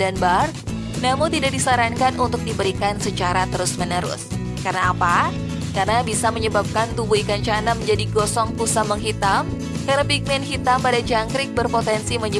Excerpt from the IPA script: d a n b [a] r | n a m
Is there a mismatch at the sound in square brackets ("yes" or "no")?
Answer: no